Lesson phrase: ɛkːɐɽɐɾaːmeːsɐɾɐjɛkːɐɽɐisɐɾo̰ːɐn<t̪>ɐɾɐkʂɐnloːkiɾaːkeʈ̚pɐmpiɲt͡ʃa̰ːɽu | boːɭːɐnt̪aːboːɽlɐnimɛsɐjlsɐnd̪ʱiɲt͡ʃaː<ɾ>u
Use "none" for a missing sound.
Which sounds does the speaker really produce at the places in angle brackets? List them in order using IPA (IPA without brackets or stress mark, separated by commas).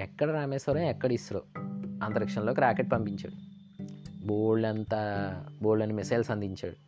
t̪, ɽ